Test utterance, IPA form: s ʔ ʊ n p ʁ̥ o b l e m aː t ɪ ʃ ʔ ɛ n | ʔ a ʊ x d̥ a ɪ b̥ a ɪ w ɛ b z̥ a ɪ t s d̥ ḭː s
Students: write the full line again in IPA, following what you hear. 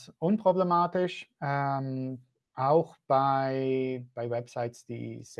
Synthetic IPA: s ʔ ʊ n p ʁ̥ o b l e m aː t ɪ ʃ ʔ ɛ m | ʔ a ʊ x b̥ a ɪ b̥ a ɪ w ɛ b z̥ a ɪ t s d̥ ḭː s

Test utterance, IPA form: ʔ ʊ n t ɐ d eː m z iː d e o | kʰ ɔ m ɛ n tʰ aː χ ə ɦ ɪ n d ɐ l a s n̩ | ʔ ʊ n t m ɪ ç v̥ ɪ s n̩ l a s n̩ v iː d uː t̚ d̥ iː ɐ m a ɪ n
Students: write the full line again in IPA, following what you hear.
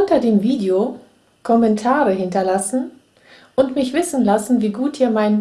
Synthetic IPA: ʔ ʊ n t ɐ d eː m v iː d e o | kʰ ɔ m ɛ n tʰ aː ʁ ə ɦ ɪ n t ɐ l a s n̩ | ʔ ʊ n t m ɪ ç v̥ ɪ s n̩ l a s n̩ v iː ɡ uː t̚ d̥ iː ɐ m a ɪ n

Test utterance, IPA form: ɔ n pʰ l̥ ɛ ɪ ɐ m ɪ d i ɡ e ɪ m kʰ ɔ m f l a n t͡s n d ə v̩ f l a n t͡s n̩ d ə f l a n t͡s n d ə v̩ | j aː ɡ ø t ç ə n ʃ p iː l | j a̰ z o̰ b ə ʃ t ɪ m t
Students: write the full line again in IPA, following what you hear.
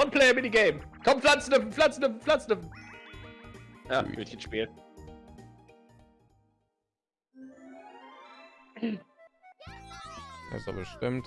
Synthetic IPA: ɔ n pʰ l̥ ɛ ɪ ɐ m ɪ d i ɡ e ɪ m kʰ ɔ m f l a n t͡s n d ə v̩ f l a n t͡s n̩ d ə f l a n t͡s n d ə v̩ | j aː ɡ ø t ç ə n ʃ p iː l | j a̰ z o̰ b ə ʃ t ɪ m t

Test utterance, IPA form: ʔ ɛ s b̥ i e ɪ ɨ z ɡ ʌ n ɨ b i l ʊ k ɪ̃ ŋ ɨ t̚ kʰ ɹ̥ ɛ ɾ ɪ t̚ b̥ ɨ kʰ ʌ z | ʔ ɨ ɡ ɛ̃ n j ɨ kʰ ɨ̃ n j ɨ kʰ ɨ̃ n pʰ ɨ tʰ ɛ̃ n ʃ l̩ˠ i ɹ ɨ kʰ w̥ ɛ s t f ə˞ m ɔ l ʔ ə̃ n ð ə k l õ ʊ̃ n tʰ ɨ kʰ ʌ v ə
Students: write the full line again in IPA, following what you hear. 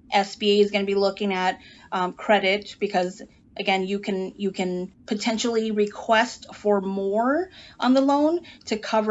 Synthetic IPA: ʔ ɛ s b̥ i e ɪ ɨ z ɡ ʌ n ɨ b i l ʊ k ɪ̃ ŋ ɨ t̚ kʰ ɹ̥ ɛ ɾ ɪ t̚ b̥ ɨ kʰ ʌ z | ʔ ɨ ɡ ɛ̃ n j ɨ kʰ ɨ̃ n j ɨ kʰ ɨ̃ n pʰ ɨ tʰ ɛ̃ n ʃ l̩ˠ i ɹ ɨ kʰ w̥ ɛ s t f ə˞ m ɔ ɹ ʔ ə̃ n ð ə l õ ʊ̃ n tʰ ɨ kʰ ʌ v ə

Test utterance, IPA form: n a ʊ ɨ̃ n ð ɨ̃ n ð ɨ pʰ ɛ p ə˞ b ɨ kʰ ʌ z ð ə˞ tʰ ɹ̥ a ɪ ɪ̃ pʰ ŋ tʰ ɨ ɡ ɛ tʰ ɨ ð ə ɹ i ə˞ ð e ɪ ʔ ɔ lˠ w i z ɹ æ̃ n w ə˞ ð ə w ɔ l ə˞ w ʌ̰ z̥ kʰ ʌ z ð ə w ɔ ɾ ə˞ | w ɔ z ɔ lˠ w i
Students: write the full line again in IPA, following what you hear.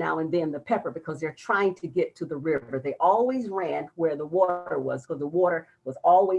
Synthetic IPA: n a ʊ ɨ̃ n ð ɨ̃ n ð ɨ pʰ ɛ p ə˞ b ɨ kʰ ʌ z ð ə˞ tʰ ɹ̥ a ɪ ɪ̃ ŋ tʰ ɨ ɡ ɛ tʰ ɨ ð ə ɹ ɪ ə˞ ð e ɪ ʔ ɔ lˠ w i z ɹ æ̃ n w ə˞ ð ə w ɔ ɾ ə˞ w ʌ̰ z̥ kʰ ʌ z ð ə w ɔ ɾ ə˞ | w ʌ z ɔ lˠ w i

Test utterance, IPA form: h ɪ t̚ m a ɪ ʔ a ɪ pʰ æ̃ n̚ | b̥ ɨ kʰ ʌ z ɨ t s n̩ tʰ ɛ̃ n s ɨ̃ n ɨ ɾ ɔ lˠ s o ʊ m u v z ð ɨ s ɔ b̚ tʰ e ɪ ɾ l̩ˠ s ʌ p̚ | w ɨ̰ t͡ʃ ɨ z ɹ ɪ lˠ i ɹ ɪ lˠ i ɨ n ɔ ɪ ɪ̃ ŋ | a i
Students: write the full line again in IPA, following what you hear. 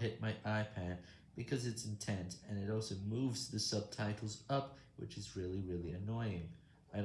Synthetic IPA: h ɪ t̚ m a ɪ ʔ a ɪ pʰ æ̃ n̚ | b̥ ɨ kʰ ʌ z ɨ t s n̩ tʰ ɛ̃ n s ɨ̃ n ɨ ɾ ɔ lˠ s o ʊ m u v z ð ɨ s ʌ b̚ tʰ a ɪ ɾ l̩ˠ z ʌ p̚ | w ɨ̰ t͡ʃ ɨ z ɹ ɪ lˠ i ɹ ɪ lˠ i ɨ n ɔ ɪ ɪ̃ ŋ | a ɪ

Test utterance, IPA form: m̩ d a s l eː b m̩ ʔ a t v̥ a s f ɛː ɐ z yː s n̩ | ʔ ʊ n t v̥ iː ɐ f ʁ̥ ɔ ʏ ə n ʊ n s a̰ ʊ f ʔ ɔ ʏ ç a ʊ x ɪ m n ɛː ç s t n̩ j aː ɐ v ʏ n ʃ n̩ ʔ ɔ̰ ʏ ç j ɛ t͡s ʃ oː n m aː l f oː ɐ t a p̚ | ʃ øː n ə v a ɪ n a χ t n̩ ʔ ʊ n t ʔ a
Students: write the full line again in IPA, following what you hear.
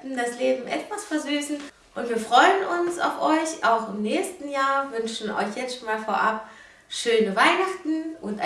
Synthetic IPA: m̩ d a s l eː b m̩ ʔ ɛ t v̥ a s f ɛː ɐ z yː s n̩ | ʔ ʊ n t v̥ iː ɐ f ʁ̥ ɔ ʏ ə n ʊ n s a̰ ʊ f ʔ ɔ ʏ ç a ʊ x ɪ m n ɛː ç s t n̩ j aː ɐ v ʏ n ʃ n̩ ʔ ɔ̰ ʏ ç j ɛ t͡s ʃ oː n m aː l f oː ɐ ʔ a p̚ | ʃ øː n ə v a ɪ n a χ t n̩ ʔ ʊ n t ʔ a

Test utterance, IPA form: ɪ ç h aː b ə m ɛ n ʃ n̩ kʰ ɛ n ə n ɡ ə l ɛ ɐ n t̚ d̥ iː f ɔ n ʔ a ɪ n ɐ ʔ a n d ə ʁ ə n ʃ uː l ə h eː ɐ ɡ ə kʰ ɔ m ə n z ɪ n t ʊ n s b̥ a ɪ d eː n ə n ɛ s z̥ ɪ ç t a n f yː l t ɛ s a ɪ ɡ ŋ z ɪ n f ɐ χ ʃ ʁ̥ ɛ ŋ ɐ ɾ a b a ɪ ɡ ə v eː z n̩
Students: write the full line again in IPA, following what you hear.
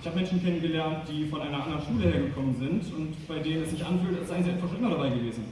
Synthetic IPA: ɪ ç h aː b ə m ɛ n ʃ n̩ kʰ ɛ n ə n ɡ ə l ɛ ɐ n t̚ d̥ iː f ɔ n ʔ a ɪ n ɐ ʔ a n d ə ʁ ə n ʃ uː l ə h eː ɐ ɡ ə kʰ ɔ m ə n z ɪ n t ʊ n t b̥ a ɪ d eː n ə n ɛ s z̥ ɪ ç ʔ a n f yː l t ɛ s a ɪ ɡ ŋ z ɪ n f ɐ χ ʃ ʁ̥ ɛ ŋ ɐ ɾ a b a ɪ ɡ ə v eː z n̩

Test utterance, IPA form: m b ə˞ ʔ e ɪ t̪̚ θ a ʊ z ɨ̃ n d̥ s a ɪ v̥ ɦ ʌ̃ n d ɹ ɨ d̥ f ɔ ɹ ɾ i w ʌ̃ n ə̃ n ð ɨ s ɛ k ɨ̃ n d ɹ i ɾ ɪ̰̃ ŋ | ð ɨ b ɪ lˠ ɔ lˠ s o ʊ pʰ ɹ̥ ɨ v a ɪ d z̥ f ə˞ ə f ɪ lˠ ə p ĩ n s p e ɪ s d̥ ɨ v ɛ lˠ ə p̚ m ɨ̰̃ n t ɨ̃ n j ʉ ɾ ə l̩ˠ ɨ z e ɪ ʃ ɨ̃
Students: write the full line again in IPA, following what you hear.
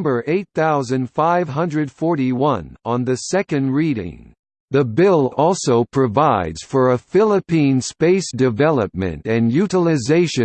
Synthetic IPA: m b ə˞ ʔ e ɪ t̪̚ θ a ʊ z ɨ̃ n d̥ f a ɪ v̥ ɦ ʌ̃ n d ɹ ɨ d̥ f ɔ ɹ ɾ i w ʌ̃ n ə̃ n ð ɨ s ɛ k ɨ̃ n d ɹ i ɾ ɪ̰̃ ŋ | ð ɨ b ɪ lˠ ɔ lˠ s o ʊ pʰ ɹ̥ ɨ v a ɪ d z̥ f ə˞ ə f ɪ lˠ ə p ĩ n s p e ɪ s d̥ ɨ v ɛ lˠ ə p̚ m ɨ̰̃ n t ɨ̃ n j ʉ ɾ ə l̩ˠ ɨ z e ɪ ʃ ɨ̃

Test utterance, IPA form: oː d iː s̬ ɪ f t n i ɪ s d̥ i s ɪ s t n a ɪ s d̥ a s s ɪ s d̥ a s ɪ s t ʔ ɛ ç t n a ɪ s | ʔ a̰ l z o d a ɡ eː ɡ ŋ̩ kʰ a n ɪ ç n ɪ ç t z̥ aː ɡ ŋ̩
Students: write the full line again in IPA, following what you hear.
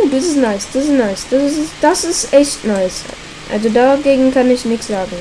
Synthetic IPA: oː d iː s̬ ɪ s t n a ɪ s d̥ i s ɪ s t n a ɪ s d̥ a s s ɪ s d̥ a s ɪ s t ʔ ɛ ç t n a ɪ s | ʔ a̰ l z o d a ɡ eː ɡ ŋ̩ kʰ a n ɪ ç n ɪ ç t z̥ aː ɡ ŋ̩

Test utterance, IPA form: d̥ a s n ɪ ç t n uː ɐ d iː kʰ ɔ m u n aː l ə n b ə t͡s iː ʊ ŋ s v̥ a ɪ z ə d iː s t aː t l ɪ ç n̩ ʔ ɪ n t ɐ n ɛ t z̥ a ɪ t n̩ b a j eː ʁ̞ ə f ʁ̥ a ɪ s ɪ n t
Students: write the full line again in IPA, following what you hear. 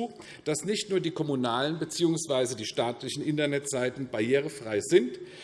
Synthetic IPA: d̥ a s n ɪ ç t n uː ɐ d iː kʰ ɔ m u n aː l ə n b ə t͡s iː ʊ ŋ s v̥ a ɪ z ə d iː ʃ t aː t l ɪ ç n̩ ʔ ɪ n t ɐ n ɛ t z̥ a ɪ t n̩ b a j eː ʁ̞ ə f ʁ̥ a ɪ z ɪ n t

